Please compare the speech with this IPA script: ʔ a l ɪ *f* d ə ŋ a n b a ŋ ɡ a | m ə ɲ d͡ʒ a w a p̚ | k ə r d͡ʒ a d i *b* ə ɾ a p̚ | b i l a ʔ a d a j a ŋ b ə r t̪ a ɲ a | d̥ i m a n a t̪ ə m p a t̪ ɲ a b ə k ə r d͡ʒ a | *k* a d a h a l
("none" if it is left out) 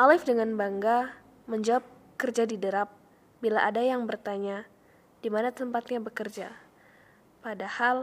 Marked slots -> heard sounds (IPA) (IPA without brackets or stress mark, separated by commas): f, d, p